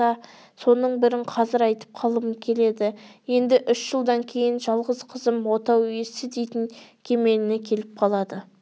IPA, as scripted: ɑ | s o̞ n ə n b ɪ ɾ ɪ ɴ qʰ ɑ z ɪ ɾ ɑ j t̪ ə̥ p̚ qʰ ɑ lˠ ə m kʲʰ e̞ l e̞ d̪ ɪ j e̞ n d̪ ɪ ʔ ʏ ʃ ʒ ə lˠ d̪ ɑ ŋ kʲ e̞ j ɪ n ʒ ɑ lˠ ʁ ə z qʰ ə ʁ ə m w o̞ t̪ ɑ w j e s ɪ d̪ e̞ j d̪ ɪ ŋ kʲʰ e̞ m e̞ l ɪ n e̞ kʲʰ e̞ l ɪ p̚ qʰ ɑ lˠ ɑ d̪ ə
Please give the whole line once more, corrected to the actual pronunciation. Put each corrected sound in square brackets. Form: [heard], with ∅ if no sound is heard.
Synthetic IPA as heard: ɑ | s o̞ n ə [ɴ] b ɪ ɾ ɪ ɴ qʰ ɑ z ɪ ɾ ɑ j t̪ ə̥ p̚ qʰ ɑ lˠ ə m kʲʰ e̞ l e̞ d̪ ɪ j e̞ n d̪ ɪ ʔ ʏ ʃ ʒ ə lˠ d̪ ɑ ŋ [kʲʰ] e̞ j ɪ n ʒ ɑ lˠ ʁ ə z qʰ ə [z] ə m w o̞ t̪ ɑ w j e s ɪ d̪ e̞ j [t̪] ɪ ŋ kʲʰ e̞ m e̞ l ɪ n e̞ kʲʰ e̞ l ɪ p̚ qʰ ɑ lˠ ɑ d̪ ə